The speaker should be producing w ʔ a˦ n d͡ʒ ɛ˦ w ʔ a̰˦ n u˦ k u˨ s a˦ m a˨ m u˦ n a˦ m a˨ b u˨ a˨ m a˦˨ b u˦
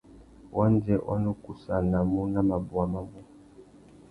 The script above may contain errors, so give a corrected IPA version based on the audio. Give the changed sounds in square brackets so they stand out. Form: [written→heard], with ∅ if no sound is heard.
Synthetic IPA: w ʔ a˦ n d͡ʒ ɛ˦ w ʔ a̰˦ n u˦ k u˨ s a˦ [m→n] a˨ m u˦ n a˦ m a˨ b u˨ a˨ m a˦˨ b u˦